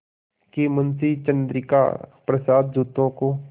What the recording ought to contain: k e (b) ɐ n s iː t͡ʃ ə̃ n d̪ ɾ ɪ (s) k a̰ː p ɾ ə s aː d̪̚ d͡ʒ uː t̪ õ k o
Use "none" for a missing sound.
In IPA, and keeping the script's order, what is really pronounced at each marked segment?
m, none

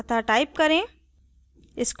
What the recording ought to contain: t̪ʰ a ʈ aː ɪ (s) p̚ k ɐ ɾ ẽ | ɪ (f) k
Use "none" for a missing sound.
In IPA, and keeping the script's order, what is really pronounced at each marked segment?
none, s

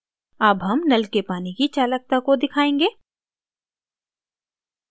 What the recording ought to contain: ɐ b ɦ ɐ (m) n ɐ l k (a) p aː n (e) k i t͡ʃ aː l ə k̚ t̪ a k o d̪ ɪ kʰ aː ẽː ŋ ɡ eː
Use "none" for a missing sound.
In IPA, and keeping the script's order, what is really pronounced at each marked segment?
m, e, i

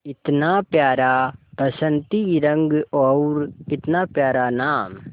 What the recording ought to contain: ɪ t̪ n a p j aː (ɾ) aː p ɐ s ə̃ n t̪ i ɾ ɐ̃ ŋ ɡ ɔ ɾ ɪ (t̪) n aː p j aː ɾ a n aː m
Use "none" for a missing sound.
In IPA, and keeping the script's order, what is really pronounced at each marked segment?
ɾ, t̪

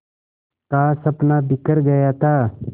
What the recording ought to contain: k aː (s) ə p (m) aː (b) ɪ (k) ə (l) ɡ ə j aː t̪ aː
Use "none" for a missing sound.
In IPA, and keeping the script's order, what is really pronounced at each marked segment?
s, n, b, k, ɾ

